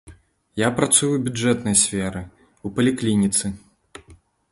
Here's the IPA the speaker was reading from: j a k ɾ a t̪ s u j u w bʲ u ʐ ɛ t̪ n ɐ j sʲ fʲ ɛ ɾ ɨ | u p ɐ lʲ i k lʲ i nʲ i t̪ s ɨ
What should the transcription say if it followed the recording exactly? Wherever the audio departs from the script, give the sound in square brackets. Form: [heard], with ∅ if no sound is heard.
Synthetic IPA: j a [p] ɾ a t̪ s u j u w bʲ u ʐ ɛ t̪ n ɐ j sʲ fʲ ɛ ɾ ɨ | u p ɐ lʲ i k lʲ i nʲ i t̪ s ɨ